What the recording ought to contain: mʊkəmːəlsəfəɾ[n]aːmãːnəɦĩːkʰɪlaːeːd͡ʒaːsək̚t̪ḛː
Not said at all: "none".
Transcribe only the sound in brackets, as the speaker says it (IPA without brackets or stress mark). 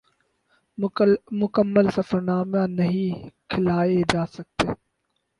n